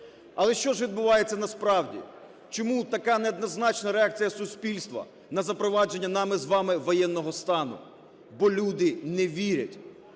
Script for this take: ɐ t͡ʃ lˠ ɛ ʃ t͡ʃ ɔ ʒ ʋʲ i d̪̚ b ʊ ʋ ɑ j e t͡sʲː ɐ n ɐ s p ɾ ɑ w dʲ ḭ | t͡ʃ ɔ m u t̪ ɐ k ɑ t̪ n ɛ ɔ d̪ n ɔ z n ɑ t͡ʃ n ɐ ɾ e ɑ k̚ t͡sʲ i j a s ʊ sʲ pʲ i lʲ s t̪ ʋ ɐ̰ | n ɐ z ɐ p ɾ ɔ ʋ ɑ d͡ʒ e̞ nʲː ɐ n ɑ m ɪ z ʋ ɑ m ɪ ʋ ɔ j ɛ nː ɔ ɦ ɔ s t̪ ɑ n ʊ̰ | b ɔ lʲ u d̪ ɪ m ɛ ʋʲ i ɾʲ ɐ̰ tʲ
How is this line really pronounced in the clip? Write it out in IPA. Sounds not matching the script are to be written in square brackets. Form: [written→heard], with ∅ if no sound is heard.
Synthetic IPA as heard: ɐ [t͡ʃ→∅] lˠ ɛ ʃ t͡ʃ ɔ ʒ ʋʲ i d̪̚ b ʊ ʋ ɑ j e t͡sʲː ɐ n ɐ s p ɾ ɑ w dʲ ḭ | t͡ʃ ɔ m u t̪ ɐ k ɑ [t̪→∅] n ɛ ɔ d̪ n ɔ z n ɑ t͡ʃ n ɐ ɾ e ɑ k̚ t͡sʲ i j [a→ɐ] s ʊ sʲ pʲ i lʲ s t̪ ʋ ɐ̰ | n ɐ z ɐ p ɾ ɔ ʋ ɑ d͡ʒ e̞ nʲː ɐ n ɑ m ɪ z ʋ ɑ m ɪ ʋ ɔ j ɛ nː ɔ ɦ ɔ s t̪ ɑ n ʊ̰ | b ɔ lʲ u d̪ ɪ [m→n] ɛ ʋʲ i ɾʲ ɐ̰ tʲ

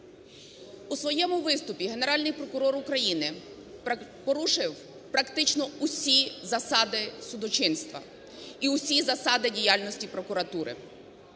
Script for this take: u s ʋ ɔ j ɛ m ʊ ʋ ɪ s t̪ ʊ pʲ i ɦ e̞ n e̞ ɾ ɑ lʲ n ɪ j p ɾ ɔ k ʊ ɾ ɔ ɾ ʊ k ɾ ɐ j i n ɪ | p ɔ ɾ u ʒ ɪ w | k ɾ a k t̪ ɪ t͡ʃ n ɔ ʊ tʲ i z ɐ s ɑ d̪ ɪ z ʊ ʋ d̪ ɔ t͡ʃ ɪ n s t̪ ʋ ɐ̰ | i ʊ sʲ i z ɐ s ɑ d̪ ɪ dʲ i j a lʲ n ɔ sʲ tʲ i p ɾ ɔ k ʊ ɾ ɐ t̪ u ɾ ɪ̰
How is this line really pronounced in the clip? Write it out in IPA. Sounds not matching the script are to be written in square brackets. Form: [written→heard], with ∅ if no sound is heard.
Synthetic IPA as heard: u s ʋ ɔ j ɛ m ʊ ʋ ɪ s t̪ ʊ pʲ i ɦ e̞ n e̞ ɾ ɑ lʲ n ɪ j p ɾ ɔ k ʊ ɾ ɔ ɾ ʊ k ɾ ɐ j i n ɪ | p ɔ ɾ u [ʒ→ʃ] ɪ w | [k→p] ɾ [a→ɐ] k t̪ ɪ t͡ʃ n ɔ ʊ [tʲ→sʲ] i z ɐ s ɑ d̪ ɪ [z→s] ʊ [ʋ→∅] d̪ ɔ t͡ʃ ɪ n s t̪ ʋ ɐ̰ | i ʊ sʲ i z ɐ s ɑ d̪ ɪ dʲ i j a lʲ n ɔ sʲ tʲ i p ɾ ɔ k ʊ ɾ ɐ t̪ u ɾ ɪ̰

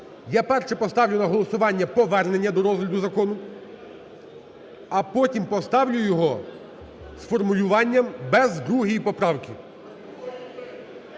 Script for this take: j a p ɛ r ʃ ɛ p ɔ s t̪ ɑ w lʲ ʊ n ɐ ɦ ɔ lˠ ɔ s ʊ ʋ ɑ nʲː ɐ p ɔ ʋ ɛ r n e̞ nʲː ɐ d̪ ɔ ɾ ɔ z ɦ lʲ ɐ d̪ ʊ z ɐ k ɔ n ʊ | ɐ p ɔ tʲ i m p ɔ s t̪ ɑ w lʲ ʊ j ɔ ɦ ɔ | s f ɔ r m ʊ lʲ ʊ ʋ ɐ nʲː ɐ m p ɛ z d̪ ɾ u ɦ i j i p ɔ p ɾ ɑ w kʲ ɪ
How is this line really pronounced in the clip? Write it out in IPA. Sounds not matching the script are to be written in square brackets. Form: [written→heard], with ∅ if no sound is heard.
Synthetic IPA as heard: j a p ɛ r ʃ ɛ p ɔ s t̪ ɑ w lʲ ʊ n ɐ ɦ ɔ lˠ ɔ s ʊ ʋ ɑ nʲː ɐ p ɔ ʋ ɛ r n e̞ nʲː ɐ d̪ ɔ ɾ ɔ z ɦ lʲ ɐ d̪ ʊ z ɐ k ɔ n ʊ | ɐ p ɔ tʲ i m p ɔ s t̪ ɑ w lʲ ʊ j ɔ ɦ ɔ | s f ɔ r m ʊ lʲ ʊ ʋ [ɐ→ɑ] nʲː ɐ m [p→b] ɛ z d̪ ɾ u ɦ i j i p ɔ p ɾ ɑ w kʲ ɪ

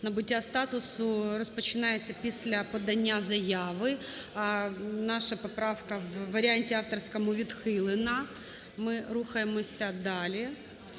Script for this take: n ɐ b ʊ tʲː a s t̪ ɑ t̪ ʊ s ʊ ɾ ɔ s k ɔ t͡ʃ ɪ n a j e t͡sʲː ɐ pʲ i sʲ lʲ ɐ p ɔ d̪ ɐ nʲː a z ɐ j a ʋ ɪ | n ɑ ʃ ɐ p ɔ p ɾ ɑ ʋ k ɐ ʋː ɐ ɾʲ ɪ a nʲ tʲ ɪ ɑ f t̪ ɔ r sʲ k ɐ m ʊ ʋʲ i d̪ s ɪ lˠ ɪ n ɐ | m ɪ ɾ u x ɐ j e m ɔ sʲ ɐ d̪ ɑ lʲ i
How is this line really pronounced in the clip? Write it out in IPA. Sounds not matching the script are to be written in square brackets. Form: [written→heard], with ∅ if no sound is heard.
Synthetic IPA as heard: n ɐ b ʊ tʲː a s t̪ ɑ t̪ ʊ s ʊ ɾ ɔ s [k→p] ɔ t͡ʃ ɪ n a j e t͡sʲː ɐ pʲ i sʲ lʲ ɐ p ɔ d̪ ɐ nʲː a z ɐ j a ʋ ɪ | n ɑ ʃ ɐ p ɔ p ɾ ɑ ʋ k ɐ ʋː ɐ ɾʲ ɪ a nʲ tʲ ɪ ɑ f t̪ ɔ r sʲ k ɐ m ʊ ʋʲ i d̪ [s→x] ɪ lˠ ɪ n ɐ | m ɪ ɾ u x ɐ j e m ɔ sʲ ɐ d̪ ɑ lʲ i

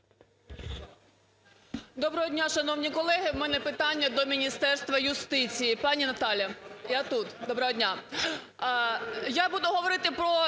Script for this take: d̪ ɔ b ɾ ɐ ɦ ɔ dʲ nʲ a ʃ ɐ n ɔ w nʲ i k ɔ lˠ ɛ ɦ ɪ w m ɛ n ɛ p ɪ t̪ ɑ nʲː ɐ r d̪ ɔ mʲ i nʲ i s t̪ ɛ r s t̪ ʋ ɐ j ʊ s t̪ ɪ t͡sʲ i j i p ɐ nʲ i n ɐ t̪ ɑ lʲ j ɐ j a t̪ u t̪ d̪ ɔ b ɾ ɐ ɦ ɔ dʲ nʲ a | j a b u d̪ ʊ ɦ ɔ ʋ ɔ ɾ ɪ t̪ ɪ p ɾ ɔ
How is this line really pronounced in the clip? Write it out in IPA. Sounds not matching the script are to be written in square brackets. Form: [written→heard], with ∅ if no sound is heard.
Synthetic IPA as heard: d̪ ɔ b ɾ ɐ ɦ ɔ dʲ nʲ a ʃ ɐ n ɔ w nʲ i k ɔ lˠ ɛ ɦ ɪ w m ɛ n ɛ p ɪ t̪ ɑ nʲː ɐ [r→∅] d̪ ɔ mʲ i nʲ i s t̪ ɛ r s t̪ ʋ ɐ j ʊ s t̪ ɪ t͡sʲ i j i p [ɐ→ɑ] nʲ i n ɐ t̪ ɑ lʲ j ɐ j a t̪ u t̪ d̪ ɔ b ɾ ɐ ɦ ɔ dʲ nʲ a | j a b u d̪ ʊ ɦ ɔ ʋ ɔ ɾ ɪ t̪ ɪ p ɾ ɔ

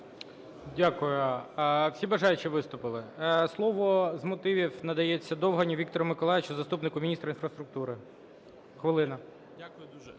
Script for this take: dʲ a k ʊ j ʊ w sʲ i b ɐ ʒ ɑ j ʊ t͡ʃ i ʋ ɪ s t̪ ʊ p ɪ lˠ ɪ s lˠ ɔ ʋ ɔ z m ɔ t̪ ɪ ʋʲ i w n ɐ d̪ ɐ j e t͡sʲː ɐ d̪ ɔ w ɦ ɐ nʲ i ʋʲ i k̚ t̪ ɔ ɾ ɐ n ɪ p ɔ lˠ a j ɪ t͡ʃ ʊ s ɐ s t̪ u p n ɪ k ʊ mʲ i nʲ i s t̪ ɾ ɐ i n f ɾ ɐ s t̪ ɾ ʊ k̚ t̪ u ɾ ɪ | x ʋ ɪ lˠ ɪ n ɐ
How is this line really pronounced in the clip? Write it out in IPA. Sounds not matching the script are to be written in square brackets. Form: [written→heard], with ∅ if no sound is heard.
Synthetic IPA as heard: dʲ a k ʊ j ʊ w sʲ i b ɐ ʒ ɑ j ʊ t͡ʃ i ʋ ɪ s t̪ ʊ p ɪ lˠ ɪ s lˠ ɔ ʋ ɔ z m ɔ t̪ ɪ ʋʲ i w n ɐ d̪ ɐ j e t͡sʲː ɐ d̪ ɔ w ɦ ɐ nʲ i ʋʲ i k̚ t̪ ɔ ɾ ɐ [n→m] ɪ [p→k] ɔ lˠ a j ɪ t͡ʃ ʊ [s→z] ɐ s t̪ u p n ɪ k ʊ mʲ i nʲ i s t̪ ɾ ɐ i n f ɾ ɐ s t̪ ɾ ʊ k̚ t̪ u ɾ ɪ | x ʋ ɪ lˠ ɪ n ɐ

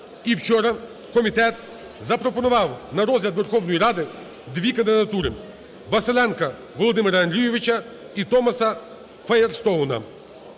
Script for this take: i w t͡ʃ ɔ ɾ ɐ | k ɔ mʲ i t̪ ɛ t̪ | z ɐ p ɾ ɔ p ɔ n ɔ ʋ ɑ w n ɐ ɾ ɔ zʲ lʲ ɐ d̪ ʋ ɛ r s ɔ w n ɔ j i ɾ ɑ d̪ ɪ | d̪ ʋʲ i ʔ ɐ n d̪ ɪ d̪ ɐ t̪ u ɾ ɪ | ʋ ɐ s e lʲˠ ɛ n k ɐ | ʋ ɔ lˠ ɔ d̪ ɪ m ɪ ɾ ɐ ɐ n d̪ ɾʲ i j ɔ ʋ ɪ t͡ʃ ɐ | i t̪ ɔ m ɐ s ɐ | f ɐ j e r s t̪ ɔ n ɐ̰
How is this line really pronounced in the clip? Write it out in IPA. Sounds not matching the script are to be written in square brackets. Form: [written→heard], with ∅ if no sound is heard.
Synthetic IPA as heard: i w t͡ʃ ɔ ɾ ɐ | k ɔ mʲ i t̪ ɛ t̪ | z ɐ p ɾ ɔ p ɔ n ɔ ʋ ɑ w n ɐ ɾ ɔ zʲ lʲ ɐ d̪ ʋ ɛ r [s→x] ɔ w n ɔ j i ɾ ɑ d̪ ɪ | d̪ ʋʲ i [ʔ→k] ɐ n d̪ ɪ d̪ ɐ t̪ u ɾ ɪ | ʋ ɐ s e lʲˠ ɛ n k ɐ | ʋ ɔ lˠ ɔ d̪ ɪ m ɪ ɾ ɐ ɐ n d̪ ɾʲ i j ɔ ʋ ɪ t͡ʃ ɐ | i t̪ ɔ m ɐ s ɐ | f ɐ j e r s t̪ ɔ n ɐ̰

